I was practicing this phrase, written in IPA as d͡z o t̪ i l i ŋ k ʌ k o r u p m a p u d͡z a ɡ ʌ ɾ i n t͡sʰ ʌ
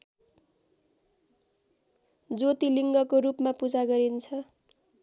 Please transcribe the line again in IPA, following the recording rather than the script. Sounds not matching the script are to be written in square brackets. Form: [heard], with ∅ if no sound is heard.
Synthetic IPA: d͡z o t̪ i l i ŋ [ɡ] ʌ k o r u p m a p u d͡z a ɡ ʌ ɾ i n t͡sʰ ʌ